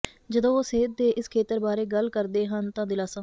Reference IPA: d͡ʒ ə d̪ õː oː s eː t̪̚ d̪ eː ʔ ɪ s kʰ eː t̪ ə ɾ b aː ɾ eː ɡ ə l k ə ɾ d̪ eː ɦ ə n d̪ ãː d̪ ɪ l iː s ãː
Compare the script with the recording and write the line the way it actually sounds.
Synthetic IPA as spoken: d͡ʒ ə d̪ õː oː s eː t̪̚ d̪ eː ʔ ɪ s kʰ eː t̪ ə ɾ b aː ɾ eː ɡ ə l k ə ɾ d̪ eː ɦ ə n t̪ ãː d̪ ɪ l aː s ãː